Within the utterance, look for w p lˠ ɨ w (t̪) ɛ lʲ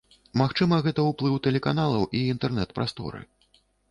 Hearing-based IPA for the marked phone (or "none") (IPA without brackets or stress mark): t̪